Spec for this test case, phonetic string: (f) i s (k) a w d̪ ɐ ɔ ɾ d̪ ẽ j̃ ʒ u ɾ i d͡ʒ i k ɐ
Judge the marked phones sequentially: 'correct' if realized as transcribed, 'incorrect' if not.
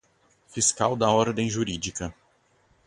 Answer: correct, correct

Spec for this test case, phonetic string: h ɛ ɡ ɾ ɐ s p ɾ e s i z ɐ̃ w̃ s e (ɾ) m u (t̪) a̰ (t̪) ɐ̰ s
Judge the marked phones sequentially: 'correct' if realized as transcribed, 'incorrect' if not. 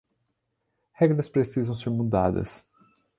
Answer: correct, incorrect, incorrect

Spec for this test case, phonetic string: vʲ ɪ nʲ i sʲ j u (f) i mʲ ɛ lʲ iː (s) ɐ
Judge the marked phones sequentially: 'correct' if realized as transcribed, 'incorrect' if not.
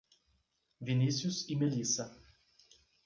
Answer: incorrect, correct

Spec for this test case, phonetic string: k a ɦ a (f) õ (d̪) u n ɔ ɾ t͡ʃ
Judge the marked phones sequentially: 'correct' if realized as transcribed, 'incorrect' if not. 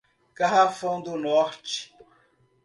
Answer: correct, correct

